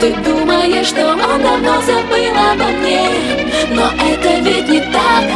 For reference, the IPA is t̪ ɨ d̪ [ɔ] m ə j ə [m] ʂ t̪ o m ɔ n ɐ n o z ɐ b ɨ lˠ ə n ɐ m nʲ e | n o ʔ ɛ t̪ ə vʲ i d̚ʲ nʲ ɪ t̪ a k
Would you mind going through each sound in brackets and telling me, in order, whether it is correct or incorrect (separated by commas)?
incorrect, incorrect